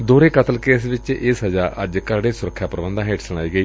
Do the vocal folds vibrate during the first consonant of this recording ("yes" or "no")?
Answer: yes